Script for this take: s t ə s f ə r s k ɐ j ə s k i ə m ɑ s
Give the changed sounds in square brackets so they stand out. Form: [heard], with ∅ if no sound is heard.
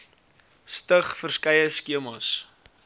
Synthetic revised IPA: s t ə [χ] f ə r s k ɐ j ə s k i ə m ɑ s

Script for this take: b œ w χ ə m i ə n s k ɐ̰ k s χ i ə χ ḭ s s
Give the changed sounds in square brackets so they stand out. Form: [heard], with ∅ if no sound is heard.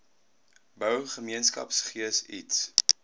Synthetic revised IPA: b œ w χ ə m i ə n s k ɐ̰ [p] s χ i ə [s] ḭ [t] s

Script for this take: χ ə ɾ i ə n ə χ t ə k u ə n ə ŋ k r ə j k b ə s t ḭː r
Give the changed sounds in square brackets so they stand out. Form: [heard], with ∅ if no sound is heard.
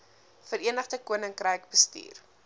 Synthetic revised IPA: [f] ə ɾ i ə n ə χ [d] ə k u ə n ə ŋ k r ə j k b ə s t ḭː r

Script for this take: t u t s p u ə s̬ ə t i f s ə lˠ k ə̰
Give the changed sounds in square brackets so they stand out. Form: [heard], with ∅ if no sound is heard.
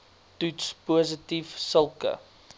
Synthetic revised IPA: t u t s p u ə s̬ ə t i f s ə lˠ k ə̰

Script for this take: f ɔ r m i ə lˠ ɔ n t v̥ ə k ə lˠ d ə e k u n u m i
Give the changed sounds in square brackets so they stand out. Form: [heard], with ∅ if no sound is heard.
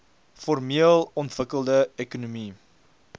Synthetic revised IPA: f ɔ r m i ə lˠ ɔ n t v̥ ə k ə lˠ d ə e k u n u m i

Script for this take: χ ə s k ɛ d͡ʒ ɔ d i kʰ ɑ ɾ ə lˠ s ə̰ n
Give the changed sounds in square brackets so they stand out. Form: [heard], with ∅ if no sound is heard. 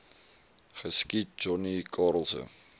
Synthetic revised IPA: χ ə s k [i] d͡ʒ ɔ [n] i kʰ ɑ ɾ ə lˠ s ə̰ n

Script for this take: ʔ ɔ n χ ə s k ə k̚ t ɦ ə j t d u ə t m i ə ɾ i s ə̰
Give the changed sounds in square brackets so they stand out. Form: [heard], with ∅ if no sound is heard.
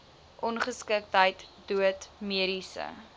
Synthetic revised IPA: ʔ ɔ n χ ə s k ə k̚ t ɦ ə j t d u ə t m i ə ɾ i s ə̰

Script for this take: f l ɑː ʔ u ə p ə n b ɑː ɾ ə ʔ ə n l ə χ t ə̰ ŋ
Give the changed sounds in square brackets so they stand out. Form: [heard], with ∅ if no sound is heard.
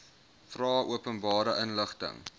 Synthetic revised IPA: f [r] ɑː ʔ u ə p ə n b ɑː ɾ ə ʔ ə n l ə χ t ə̰ ŋ

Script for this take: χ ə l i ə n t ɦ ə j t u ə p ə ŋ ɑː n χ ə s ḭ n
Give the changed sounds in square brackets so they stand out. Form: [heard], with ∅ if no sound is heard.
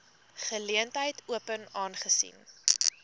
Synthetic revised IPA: χ ə l i ə n t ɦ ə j t u ə p ə [n] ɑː n χ ə s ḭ n

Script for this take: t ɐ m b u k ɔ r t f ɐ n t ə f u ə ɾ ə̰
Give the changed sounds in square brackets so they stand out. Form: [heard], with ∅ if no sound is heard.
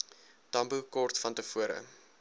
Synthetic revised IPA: t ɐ m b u k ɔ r t f ɐ n t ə f u ə ɾ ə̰

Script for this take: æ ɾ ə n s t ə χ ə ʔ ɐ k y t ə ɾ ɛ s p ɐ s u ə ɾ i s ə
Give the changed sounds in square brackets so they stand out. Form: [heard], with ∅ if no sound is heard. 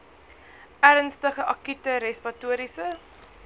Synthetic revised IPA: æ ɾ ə n s t ə χ ə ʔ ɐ k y t ə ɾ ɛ s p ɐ [t] u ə ɾ i s ə

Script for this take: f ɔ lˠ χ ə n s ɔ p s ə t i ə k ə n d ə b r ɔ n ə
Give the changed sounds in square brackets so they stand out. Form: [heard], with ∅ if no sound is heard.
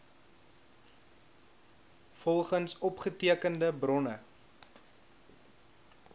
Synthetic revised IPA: f ɔ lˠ χ ə n s ɔ p [χ] ə t i ə k ə n d ə b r ɔ n ə

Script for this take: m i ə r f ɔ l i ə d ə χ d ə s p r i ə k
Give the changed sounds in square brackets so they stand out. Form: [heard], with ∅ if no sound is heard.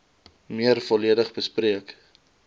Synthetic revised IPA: m i ə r f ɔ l i ə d ə χ [b] ə s p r i ə k

